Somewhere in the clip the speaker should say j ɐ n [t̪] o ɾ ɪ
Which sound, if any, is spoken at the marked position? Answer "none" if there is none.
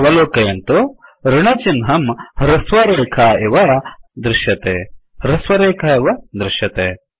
t̪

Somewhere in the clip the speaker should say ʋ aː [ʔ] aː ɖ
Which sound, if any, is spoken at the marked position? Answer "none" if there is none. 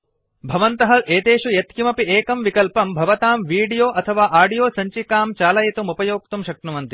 ʔ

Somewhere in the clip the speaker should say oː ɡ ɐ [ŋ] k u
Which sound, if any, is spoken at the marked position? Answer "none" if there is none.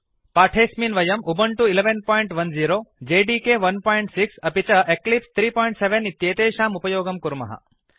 m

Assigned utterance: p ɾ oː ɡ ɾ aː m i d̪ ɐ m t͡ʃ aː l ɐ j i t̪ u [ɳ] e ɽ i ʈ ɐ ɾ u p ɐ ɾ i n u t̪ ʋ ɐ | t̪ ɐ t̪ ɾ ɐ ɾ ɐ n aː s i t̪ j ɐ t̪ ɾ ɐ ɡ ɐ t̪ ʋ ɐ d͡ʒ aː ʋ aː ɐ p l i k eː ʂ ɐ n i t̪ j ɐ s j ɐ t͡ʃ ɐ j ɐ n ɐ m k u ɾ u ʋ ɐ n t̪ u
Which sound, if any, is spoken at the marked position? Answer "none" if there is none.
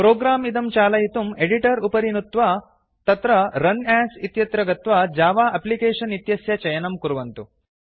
m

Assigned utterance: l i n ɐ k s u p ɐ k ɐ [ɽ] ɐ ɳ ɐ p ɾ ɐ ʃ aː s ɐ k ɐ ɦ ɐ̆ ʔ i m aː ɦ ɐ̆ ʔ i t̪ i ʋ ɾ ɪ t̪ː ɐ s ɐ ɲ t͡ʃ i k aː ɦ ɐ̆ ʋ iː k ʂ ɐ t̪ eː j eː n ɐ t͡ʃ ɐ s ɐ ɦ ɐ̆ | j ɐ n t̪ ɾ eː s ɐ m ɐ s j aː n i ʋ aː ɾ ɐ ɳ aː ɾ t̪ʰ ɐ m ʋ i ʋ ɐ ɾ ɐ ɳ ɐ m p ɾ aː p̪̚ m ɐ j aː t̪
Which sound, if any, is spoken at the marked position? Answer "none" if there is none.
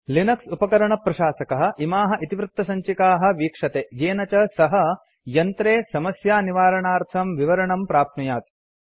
ɾ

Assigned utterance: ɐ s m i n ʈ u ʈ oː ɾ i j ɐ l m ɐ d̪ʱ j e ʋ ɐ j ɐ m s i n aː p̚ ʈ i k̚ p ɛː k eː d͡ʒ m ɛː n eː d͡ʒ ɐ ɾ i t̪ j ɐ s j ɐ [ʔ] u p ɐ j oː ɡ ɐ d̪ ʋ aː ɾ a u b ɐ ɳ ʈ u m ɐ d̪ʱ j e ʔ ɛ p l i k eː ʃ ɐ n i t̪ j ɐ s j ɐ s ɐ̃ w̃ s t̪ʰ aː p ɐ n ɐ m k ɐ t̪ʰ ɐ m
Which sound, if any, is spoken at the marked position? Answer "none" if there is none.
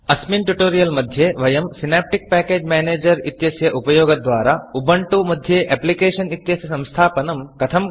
ʔ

